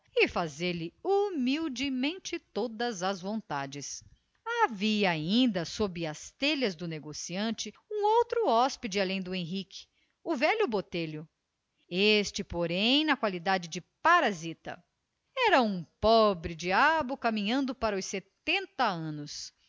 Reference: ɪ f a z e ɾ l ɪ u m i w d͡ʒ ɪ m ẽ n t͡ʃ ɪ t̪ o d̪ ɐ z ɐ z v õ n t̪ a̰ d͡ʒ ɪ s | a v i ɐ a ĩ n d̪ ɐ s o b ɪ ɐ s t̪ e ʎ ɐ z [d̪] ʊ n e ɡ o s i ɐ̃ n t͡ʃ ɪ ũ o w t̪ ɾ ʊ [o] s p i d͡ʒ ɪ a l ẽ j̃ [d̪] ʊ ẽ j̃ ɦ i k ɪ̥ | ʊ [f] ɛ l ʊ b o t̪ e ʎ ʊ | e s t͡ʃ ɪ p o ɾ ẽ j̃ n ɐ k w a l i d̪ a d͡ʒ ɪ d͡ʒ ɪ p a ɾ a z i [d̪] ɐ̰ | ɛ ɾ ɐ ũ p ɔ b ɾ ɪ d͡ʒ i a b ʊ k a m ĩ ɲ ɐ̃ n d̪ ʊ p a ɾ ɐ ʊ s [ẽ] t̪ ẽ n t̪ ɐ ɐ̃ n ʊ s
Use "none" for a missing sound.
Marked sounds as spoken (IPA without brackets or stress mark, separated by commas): d̪, ɔ, d̪, v, t̪, e